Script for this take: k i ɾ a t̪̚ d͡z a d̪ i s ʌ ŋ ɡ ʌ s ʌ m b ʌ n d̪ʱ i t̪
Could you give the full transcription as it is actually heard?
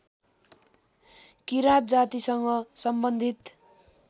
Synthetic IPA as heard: k i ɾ a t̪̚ d͡z a t̪ i s ʌ ŋ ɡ ʌ s ʌ m b ʌ n d̪ʱ i t̪